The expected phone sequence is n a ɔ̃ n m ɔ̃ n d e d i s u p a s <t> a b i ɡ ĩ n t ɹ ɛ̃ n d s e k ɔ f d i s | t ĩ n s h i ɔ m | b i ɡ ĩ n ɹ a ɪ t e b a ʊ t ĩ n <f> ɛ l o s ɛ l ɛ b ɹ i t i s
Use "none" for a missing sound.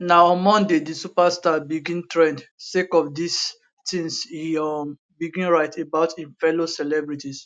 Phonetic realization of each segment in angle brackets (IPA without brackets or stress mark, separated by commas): t, f